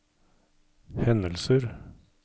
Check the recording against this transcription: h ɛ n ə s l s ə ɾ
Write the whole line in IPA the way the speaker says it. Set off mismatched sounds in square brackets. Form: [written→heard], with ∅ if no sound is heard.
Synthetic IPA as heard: h ɛ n ə [s→∅] l s ə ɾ

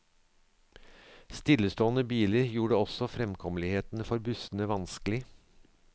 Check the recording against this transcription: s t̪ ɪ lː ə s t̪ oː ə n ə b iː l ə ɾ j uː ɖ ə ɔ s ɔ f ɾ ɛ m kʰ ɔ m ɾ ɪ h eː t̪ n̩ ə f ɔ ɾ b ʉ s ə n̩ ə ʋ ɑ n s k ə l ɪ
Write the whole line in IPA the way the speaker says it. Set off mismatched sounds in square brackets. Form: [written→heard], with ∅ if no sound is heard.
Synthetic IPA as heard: s t̪ ɪ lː ə s t̪ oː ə n ə b iː l ə ɾ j uː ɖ ə ɔ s ɔ f ɾ ɛ m kʰ ɔ m [ɾ→l] ɪ h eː t̪ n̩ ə f ɔ ɾ b ʉ s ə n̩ ə ʋ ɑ n s k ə l ɪ

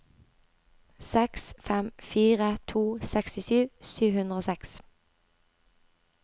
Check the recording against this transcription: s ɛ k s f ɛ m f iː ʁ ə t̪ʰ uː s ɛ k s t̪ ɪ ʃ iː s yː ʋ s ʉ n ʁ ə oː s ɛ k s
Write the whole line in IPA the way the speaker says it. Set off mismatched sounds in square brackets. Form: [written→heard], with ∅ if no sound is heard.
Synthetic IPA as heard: s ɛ k s f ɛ m f iː ʁ ə t̪ʰ uː s ɛ k s t̪ ɪ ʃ [iː→yː] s yː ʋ [s→h] ʉ n ʁ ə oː s ɛ k s

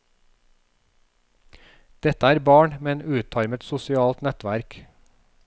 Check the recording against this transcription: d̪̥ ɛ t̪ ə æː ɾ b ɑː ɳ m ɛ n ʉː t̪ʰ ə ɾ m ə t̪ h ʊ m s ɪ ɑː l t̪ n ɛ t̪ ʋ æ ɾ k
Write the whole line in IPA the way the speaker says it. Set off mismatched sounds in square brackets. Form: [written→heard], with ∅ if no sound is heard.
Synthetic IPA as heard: d̪̥ ɛ t̪ ə æː ɾ b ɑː ɳ m ɛ n ʉː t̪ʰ [ə→ɑ] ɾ m ə t̪ [h→s] ʊ [m→∅] s ɪ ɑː l t̪ n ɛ t̪ ʋ æ ɾ k

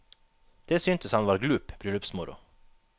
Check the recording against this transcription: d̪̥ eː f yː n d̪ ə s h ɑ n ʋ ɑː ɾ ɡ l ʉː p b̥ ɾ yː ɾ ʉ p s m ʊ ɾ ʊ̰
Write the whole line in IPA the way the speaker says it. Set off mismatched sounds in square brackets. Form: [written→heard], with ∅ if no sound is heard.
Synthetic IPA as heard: d̪̥ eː [f→s] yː n [d̪→t̪] ə s h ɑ n ʋ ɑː ɾ ɡ l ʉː p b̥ ɾ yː [ɾ→l] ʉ p s m ʊ ɾ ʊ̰

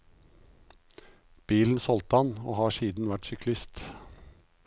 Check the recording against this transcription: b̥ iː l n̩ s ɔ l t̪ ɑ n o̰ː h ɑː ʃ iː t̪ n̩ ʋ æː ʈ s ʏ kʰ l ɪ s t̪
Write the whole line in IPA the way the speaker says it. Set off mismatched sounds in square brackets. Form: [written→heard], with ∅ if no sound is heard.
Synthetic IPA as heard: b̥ iː l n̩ s ɔ l t̪ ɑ n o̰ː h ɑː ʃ iː [t̪→d̪] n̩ ʋ [æː→æ] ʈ s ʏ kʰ l ɪ s t̪

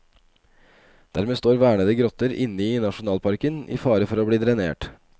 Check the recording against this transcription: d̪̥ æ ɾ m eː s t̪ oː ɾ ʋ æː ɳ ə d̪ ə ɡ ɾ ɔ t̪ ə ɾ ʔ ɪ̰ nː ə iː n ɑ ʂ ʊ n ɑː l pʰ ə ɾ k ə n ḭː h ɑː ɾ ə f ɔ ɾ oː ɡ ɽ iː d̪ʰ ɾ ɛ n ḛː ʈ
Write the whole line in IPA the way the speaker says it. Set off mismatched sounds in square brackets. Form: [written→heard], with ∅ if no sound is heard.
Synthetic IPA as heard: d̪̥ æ ɾ m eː s t̪ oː ɾ ʋ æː ɳ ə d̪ ə ɡ ɾ ɔ t̪ ə ɾ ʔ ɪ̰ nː ə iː n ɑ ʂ ʊ n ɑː l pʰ [ə→ɑ] ɾ k ə n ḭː [h→f] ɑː ɾ ə f ɔ ɾ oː [ɡ→b] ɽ iː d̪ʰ ɾ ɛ n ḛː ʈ

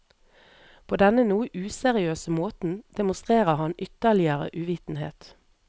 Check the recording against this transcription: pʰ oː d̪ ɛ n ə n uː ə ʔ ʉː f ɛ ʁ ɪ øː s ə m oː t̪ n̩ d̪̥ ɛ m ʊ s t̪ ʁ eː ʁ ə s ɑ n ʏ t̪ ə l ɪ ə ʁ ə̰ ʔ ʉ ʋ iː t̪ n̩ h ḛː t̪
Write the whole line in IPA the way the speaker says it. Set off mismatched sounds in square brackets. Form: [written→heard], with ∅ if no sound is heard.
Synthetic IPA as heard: pʰ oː d̪ ɛ n ə n uː ə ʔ ʉː [f→s] ɛ ʁ ɪ øː s ə m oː t̪ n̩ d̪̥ ɛ m ʊ s t̪ ʁ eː ʁ ə [s→h] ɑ n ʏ t̪ ə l ɪ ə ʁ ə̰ ʔ ʉ ʋ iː t̪ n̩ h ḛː t̪

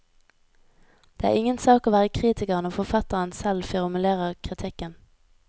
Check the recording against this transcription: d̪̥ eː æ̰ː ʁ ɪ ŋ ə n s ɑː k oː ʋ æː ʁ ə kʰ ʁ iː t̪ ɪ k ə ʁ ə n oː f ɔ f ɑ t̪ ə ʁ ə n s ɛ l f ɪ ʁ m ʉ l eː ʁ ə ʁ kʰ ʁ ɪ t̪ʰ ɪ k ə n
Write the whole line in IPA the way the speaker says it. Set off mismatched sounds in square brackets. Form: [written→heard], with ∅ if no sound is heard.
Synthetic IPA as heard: d̪̥ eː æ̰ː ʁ ɪ ŋ ə n s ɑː k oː ʋ æː ʁ ə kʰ ʁ iː t̪ ɪ k ə ʁ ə n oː f ɔ f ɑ t̪ ə ʁ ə n s ɛ l f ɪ ʁ m ʉ l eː ʁ ə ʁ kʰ ʁ ɪ t̪ʰ ɪ k ə n

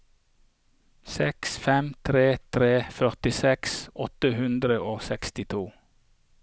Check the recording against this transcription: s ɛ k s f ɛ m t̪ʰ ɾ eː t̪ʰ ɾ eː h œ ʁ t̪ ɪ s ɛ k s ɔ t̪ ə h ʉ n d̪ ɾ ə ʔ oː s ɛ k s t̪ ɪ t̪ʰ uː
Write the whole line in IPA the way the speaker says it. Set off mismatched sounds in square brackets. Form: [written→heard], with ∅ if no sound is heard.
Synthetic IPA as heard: s ɛ k s f ɛ m t̪ʰ ɾ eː t̪ʰ ɾ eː [h→f] œ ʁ t̪ ɪ s ɛ k s ɔ t̪ ə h ʉ n d̪ ɾ ə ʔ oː s ɛ k s t̪ ɪ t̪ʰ uː

